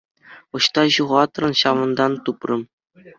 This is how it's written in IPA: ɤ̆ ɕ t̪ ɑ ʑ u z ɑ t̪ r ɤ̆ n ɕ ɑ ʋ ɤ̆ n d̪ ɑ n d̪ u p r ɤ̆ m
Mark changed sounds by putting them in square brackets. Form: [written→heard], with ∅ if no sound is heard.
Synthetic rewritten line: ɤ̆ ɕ t̪ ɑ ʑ u [z→ʁ] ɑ t̪ r ɤ̆ n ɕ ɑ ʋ ɤ̆ n d̪ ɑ n [d̪→t̪] u p r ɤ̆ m